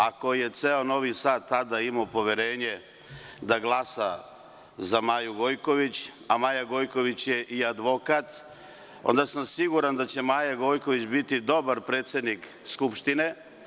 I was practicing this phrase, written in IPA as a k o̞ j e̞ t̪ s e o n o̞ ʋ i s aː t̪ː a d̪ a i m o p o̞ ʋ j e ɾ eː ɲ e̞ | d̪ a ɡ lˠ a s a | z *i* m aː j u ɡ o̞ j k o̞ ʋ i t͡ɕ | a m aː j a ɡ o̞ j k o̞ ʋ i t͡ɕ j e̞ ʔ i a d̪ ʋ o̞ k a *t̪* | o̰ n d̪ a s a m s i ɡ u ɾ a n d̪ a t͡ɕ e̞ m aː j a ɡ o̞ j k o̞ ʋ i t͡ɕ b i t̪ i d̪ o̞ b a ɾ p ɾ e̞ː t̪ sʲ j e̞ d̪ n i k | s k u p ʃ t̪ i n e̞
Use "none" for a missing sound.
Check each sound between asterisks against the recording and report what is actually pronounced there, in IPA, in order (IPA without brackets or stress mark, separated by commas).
a, t̪